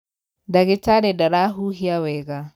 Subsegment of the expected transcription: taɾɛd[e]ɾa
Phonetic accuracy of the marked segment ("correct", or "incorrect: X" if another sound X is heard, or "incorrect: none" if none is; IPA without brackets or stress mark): incorrect: a